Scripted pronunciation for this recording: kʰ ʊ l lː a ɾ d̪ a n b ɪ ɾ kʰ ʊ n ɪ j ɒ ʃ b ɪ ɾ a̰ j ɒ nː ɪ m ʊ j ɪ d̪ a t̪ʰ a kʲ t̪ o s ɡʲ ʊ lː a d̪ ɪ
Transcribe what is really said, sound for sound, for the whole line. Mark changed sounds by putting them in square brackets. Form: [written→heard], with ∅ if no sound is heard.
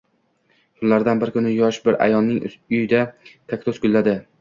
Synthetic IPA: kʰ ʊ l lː a ɾ d̪ a n b ɪ ɾ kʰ ʊ n ɪ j ɒ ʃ b ɪ ɾ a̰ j ɒ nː ɪ [m→ŋ] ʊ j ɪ d̪ a t̪ʰ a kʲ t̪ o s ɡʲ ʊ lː a d̪ ɪ